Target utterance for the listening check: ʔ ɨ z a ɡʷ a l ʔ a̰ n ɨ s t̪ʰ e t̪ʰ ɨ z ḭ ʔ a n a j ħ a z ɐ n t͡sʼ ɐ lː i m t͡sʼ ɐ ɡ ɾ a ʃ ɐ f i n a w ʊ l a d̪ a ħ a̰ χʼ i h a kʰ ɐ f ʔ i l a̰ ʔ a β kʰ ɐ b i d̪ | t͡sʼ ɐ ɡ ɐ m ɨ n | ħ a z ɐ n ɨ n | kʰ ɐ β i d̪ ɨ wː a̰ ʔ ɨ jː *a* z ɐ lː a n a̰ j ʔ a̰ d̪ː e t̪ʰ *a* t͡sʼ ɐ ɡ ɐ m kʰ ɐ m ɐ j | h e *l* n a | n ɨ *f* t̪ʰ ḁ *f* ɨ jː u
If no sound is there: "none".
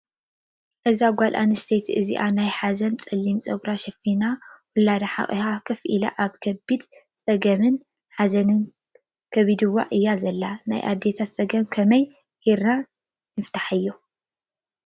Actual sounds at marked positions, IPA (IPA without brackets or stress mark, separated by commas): a, a, ɾ, f, ħ